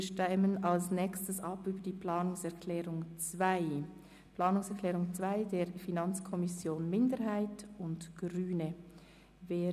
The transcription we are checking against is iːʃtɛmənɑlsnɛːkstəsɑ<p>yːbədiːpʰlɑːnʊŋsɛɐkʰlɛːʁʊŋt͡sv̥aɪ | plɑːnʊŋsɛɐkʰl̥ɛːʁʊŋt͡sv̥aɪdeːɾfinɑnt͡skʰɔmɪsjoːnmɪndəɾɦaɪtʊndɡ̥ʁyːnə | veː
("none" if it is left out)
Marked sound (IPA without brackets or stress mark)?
p